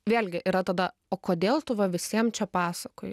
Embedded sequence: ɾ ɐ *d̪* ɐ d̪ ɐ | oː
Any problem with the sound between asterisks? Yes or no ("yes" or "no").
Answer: yes